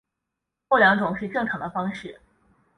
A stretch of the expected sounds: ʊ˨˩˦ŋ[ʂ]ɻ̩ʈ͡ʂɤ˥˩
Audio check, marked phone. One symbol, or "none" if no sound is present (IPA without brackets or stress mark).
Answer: ʂ